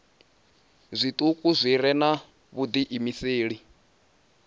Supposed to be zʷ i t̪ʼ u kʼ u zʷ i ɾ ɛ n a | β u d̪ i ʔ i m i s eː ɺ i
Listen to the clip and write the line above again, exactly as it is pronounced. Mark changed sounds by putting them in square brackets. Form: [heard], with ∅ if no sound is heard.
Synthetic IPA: zʷ i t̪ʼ u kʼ u zʷ i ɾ ɛ n a | β u d̪ i ʔ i m i s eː ɺ i